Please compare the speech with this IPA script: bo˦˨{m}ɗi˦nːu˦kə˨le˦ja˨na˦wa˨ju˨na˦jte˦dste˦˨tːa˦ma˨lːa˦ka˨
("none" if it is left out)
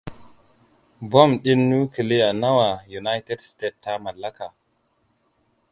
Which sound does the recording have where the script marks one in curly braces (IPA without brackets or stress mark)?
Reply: m